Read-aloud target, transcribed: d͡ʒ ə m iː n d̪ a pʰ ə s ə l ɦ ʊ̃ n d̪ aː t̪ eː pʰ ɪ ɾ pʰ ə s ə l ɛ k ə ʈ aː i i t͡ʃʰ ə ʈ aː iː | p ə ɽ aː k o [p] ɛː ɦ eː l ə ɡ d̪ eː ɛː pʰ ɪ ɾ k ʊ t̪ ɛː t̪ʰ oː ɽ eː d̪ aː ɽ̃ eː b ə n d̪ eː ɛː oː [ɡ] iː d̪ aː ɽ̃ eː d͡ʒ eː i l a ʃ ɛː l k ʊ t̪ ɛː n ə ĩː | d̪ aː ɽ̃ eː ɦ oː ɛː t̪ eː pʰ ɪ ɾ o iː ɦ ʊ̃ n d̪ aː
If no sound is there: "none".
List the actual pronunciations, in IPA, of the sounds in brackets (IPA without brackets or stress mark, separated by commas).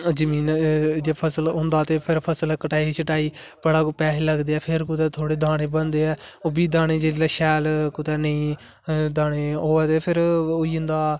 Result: p, b